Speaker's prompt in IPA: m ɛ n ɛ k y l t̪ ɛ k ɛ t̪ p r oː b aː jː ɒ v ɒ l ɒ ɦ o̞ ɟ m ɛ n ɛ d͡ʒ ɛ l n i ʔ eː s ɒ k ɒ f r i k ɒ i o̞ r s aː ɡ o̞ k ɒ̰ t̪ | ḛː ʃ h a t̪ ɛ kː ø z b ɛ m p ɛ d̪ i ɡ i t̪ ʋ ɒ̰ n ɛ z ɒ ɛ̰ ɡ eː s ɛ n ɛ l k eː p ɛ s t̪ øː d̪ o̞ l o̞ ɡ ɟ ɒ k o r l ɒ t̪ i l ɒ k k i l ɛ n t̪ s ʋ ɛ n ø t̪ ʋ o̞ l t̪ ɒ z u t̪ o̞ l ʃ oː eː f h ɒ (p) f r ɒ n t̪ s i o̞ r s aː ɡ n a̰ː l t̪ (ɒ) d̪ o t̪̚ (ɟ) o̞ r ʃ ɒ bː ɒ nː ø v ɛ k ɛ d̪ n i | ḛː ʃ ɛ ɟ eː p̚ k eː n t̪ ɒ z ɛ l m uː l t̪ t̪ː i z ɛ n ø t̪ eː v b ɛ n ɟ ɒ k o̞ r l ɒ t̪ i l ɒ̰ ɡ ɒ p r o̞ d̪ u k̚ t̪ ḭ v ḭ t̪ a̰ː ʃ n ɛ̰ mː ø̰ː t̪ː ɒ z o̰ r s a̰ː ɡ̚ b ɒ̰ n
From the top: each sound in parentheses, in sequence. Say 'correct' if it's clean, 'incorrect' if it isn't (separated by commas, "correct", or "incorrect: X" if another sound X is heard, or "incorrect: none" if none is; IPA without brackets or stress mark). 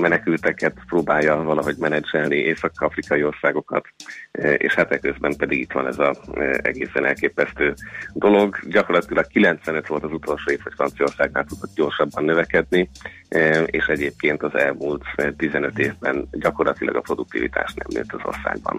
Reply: incorrect: c, incorrect: u, correct